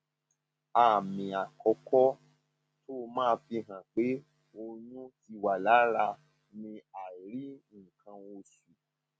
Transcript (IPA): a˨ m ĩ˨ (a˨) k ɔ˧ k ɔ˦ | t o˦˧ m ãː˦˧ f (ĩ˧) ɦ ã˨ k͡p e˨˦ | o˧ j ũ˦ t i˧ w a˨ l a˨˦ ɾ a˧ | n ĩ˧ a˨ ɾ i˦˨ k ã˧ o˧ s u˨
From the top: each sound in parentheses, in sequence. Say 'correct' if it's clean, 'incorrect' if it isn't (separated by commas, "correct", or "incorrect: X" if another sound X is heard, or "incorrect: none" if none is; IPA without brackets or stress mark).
correct, incorrect: i˧